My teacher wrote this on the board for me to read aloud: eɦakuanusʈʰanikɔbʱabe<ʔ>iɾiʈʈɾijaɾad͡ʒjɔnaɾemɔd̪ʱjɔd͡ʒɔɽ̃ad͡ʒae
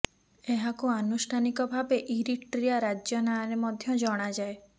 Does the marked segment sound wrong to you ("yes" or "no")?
no